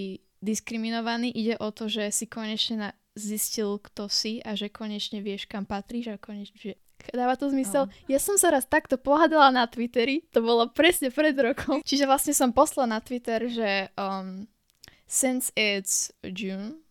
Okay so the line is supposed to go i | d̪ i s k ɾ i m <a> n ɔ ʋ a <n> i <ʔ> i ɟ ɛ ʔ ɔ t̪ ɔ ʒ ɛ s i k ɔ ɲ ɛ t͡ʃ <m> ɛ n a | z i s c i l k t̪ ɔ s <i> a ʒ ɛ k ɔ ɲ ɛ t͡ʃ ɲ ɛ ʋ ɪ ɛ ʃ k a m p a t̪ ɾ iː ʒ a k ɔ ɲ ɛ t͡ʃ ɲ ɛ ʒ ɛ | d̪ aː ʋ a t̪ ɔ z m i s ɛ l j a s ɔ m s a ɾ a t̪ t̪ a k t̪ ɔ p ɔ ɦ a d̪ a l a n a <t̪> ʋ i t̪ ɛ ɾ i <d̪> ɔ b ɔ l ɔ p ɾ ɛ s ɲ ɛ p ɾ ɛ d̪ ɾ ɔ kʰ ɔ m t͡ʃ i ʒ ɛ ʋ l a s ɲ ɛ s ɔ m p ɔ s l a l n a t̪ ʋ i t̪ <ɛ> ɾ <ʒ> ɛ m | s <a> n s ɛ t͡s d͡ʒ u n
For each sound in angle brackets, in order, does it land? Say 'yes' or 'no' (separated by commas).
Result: no, yes, yes, no, yes, yes, no, yes, yes, no